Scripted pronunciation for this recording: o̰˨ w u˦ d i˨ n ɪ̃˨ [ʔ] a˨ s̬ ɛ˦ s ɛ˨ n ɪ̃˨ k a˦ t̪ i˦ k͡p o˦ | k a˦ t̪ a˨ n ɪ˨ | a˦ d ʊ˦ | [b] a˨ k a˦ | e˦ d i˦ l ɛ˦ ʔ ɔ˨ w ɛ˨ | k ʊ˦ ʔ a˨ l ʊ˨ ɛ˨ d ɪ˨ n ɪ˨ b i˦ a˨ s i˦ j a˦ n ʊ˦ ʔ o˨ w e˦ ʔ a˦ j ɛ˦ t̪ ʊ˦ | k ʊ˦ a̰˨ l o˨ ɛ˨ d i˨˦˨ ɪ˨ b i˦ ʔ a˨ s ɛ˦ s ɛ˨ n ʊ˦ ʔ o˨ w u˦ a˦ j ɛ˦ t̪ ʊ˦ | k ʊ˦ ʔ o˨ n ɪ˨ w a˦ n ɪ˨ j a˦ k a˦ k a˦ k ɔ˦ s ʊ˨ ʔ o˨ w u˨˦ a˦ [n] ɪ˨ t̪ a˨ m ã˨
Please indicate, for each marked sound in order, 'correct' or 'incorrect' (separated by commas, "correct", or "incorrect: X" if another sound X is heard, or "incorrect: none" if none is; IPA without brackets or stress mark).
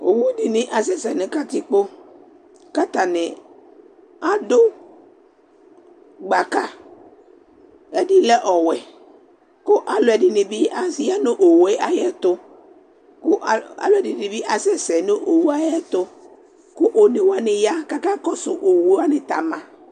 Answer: correct, incorrect: ɡ͡b, correct